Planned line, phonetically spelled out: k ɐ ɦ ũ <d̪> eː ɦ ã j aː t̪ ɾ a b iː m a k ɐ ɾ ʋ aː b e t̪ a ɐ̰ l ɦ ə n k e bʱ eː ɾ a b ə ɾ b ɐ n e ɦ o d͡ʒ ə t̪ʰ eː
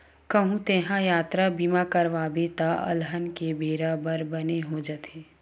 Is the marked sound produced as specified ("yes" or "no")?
no